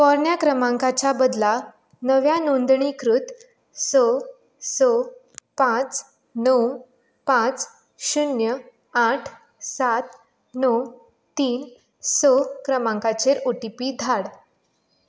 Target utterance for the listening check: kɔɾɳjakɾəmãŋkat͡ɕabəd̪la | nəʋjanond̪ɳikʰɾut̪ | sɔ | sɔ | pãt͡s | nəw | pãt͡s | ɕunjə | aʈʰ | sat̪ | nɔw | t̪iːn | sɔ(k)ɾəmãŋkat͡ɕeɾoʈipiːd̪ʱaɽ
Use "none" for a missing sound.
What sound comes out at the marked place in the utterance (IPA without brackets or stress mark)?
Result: k